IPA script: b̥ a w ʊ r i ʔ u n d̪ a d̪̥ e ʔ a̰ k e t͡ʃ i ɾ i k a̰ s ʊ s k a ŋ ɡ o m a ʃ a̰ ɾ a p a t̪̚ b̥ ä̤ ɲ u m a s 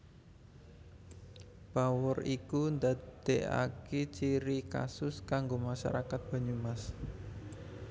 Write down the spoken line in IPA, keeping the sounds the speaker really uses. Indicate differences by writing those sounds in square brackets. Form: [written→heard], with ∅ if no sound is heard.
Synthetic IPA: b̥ a w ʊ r i [ʔ→k] u n d̪ a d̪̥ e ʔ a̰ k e t͡ʃ i ɾ i k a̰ s ʊ s k a ŋ ɡ o m a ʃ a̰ ɾ a [p→k] a t̪̚ b̥ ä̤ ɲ u m a s